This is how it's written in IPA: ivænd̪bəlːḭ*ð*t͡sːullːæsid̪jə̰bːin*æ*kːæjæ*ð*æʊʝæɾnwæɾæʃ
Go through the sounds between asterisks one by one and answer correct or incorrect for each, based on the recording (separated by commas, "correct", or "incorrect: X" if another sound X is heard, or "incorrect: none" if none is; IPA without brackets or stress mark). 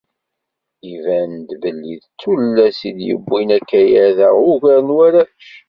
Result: correct, correct, correct